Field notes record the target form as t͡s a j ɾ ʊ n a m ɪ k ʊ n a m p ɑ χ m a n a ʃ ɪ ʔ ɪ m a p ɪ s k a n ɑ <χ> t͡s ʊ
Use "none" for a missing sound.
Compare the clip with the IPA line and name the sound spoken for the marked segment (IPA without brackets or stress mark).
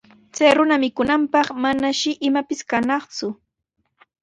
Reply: χ